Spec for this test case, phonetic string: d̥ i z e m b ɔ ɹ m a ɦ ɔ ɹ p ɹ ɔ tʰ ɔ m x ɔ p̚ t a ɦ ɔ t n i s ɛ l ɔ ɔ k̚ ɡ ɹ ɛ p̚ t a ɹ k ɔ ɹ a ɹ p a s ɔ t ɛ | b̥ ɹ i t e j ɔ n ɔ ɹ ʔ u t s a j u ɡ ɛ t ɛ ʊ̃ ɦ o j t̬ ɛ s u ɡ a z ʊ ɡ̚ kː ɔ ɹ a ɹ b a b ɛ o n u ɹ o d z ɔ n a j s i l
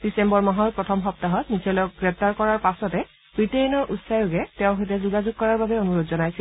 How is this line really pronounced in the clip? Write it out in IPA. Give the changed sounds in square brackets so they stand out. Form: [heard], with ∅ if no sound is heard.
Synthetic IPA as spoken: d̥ i [s] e m b ɔ ɹ m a ɦ ɔ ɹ p ɹ ɔ tʰ ɔ m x ɔ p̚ t a ɦ ɔ t n i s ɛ l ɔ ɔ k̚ ɡ ɹ ɛ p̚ t a ɹ k ɔ ɹ a ɹ p a s ɔ t ɛ | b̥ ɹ i t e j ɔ n ɔ ɹ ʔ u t s a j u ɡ ɛ t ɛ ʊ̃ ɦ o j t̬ ɛ [z] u ɡ a z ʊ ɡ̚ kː ɔ ɹ a ɹ b a b ɛ o n u ɹ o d z ɔ n a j s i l